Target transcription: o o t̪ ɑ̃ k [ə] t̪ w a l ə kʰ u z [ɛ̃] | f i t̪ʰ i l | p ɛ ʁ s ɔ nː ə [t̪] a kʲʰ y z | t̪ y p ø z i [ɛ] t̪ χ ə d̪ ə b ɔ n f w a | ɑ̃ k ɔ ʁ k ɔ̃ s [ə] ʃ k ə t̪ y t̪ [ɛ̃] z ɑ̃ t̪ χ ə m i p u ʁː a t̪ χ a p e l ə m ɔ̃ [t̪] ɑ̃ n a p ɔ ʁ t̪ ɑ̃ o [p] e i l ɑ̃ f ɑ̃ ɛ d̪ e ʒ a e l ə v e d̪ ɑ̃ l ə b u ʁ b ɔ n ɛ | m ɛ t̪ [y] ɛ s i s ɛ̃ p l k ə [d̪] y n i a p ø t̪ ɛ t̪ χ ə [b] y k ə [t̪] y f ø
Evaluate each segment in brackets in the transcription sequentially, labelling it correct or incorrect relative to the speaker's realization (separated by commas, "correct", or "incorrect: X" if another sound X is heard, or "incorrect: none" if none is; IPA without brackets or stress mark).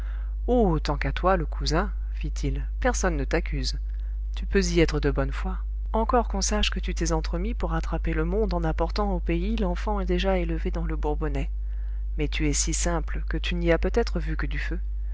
incorrect: a, correct, correct, correct, incorrect: a, incorrect: ɛ, incorrect: d̪, correct, correct, incorrect: t̪, incorrect: v, incorrect: d̪